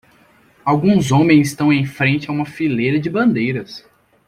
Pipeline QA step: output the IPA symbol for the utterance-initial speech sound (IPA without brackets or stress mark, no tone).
a